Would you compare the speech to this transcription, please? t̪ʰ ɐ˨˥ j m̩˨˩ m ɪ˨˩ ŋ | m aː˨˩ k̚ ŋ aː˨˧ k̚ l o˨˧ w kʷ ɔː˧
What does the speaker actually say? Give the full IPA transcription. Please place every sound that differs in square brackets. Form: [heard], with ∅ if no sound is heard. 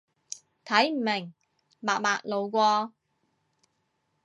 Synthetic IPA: t̪ʰ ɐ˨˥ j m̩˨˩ m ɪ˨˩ ŋ | m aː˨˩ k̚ [m] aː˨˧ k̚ l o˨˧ w kʷ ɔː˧